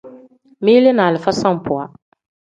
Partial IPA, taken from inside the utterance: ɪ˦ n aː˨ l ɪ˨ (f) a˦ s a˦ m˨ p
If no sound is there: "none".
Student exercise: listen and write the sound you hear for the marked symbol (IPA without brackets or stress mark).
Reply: f